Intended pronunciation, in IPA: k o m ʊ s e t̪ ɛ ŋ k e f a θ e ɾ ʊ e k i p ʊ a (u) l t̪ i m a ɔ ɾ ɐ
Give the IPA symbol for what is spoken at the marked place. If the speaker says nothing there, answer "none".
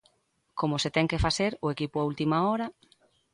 u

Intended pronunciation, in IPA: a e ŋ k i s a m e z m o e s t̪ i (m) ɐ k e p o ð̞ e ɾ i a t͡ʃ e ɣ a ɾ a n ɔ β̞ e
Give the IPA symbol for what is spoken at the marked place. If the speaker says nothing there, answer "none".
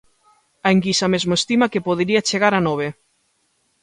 m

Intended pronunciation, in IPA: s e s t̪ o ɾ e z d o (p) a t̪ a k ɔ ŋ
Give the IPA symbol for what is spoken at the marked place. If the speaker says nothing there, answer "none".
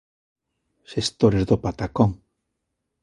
p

